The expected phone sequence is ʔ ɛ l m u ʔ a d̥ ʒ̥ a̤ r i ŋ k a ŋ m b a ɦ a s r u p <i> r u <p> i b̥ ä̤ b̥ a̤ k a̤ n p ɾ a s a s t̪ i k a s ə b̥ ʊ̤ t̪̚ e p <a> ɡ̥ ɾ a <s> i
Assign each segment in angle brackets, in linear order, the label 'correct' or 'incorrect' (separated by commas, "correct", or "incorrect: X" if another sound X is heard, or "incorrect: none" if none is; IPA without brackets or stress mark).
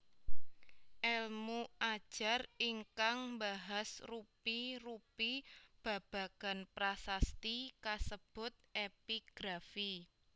correct, correct, incorrect: i, incorrect: f